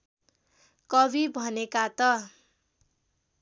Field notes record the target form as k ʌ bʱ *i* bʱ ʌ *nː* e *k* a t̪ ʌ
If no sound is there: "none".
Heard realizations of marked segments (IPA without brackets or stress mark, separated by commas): i, n, k